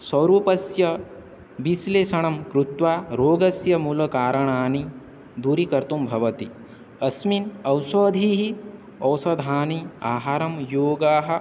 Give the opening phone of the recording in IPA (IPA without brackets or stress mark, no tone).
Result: s